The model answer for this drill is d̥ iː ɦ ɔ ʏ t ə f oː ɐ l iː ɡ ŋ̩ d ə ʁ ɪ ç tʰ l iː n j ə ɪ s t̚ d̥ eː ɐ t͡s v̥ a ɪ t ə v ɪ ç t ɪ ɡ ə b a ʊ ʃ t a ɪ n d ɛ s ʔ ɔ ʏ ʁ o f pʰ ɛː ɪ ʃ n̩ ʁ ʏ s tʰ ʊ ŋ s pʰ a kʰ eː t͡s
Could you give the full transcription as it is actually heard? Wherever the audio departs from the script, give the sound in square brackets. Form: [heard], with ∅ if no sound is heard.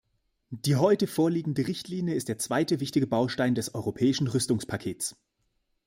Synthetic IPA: d̥ iː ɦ ɔ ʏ t ə f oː ɐ l iː ɡ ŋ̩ d ə ʁ ɪ ç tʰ l iː n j ə ɪ s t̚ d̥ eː ɐ t͡s v̥ a ɪ t ə v ɪ ç t ɪ ɡ ə b a ʊ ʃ t a ɪ n d ɛ s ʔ ɔ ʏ ʁ o [∅] pʰ ɛː ɪ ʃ n̩ ʁ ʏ s [t] ʊ ŋ s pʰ a kʰ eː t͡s